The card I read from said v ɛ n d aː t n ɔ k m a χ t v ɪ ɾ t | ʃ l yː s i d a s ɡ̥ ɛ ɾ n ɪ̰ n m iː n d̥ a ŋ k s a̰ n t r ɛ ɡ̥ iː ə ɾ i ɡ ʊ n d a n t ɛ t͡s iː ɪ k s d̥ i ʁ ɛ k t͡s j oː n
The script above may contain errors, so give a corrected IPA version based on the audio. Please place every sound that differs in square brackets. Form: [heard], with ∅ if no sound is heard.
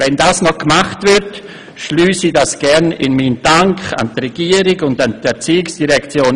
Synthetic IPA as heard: v ɛ n d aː [s] n ɔ k m a χ t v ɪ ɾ t | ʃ l yː s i d a s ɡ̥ ɛ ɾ n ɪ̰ n m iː n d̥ a ŋ k [χ] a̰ n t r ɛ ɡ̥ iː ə ɾ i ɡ ʊ n d a n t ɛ t͡s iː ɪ k s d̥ i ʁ ɛ k t͡s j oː n